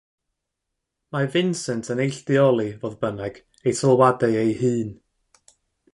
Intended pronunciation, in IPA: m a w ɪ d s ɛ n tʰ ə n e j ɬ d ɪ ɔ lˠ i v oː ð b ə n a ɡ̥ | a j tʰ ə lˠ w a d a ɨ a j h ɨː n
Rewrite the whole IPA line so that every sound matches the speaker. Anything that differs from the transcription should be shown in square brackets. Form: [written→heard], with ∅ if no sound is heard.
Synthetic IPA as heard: m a [w→v] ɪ [d→n] s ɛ n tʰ ə n e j ɬ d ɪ ɔ lˠ i v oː ð b ə n [a→ɛ] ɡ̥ | [a→e] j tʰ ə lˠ w a d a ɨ [a→e] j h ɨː n